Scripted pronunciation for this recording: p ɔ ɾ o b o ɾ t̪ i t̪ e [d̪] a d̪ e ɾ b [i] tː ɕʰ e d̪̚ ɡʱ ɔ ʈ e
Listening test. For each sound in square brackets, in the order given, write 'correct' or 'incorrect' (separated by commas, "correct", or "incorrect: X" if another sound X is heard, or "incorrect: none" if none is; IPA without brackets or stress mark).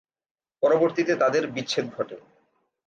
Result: incorrect: t̪, correct